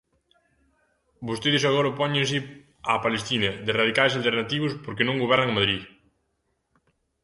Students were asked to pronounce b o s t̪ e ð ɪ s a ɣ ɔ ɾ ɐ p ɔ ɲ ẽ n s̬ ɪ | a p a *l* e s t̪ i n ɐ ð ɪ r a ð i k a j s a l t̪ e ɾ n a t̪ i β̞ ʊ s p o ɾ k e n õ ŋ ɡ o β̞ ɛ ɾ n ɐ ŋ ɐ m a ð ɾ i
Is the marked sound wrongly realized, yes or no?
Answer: no